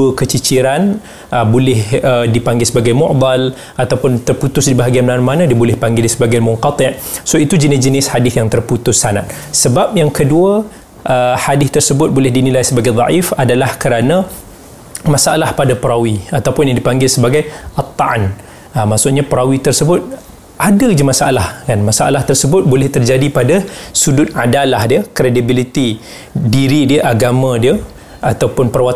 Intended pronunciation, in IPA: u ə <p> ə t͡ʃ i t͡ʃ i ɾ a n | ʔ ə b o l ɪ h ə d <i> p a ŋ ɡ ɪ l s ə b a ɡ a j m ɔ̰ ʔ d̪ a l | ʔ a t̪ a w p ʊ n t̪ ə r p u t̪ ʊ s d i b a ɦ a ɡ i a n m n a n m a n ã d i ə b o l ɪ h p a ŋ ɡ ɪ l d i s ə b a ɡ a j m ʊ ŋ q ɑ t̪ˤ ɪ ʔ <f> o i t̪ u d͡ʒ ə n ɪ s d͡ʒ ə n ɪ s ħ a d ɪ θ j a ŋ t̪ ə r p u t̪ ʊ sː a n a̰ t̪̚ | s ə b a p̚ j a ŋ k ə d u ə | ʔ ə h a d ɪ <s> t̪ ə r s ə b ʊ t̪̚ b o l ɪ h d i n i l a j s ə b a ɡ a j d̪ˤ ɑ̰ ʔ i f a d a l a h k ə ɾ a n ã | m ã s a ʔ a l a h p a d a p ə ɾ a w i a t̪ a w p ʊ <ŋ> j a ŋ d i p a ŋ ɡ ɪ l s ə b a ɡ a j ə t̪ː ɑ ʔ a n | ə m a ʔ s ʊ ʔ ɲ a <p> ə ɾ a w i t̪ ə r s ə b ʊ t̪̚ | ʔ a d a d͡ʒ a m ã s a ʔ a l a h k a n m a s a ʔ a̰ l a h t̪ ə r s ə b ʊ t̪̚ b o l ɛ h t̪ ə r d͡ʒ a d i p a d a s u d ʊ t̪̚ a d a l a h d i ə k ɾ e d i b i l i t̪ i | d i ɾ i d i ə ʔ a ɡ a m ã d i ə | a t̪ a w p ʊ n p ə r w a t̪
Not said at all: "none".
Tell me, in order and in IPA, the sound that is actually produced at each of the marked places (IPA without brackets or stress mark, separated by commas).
k, i, s, θ, n, p